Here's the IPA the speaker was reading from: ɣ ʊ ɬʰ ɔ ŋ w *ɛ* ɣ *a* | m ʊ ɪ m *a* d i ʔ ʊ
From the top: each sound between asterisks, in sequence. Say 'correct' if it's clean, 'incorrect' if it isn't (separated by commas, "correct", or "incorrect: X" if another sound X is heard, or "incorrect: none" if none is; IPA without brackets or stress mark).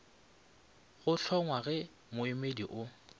incorrect: a, incorrect: ɛ, incorrect: e